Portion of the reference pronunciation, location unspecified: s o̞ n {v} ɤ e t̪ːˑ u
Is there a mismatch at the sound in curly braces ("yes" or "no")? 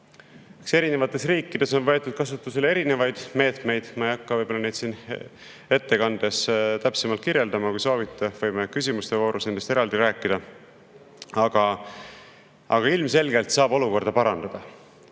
no